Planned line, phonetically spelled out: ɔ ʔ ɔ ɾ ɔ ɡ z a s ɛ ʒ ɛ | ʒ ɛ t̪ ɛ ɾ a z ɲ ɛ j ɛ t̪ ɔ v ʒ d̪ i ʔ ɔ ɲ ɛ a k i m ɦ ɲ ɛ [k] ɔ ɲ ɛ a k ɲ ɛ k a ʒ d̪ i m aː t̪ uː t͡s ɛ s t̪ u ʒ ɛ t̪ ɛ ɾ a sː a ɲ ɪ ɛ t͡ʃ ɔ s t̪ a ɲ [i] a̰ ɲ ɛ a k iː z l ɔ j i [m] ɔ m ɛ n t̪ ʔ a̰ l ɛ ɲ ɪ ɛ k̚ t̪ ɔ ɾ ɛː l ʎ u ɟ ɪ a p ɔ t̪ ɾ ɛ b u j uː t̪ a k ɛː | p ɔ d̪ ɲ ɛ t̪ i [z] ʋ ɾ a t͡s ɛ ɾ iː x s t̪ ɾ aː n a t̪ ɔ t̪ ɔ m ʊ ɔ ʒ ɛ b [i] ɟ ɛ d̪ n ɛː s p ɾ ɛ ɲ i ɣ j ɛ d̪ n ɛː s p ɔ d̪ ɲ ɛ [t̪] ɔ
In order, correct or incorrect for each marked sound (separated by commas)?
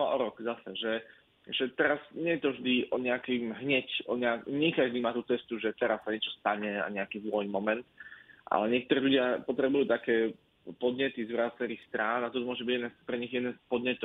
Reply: incorrect, incorrect, correct, correct, correct, correct